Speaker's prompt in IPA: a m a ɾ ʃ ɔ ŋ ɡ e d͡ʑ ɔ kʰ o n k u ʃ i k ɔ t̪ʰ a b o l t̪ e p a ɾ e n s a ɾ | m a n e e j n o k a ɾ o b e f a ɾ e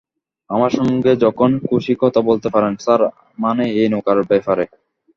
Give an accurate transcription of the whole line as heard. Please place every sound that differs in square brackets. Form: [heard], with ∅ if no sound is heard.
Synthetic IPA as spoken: a m a ɾ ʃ ɔ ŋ ɡ e d͡ʑ ɔ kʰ o n k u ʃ i k ɔ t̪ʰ a b o l t̪ e p a ɾ e n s a ɾ | m a n e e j n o k a ɾ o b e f a ɾ e